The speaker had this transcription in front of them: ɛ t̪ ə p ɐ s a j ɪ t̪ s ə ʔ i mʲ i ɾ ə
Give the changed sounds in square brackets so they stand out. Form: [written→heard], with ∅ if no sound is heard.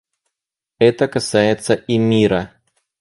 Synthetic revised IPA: ɛ t̪ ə [p→k] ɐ s a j ɪ t̪ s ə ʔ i mʲ i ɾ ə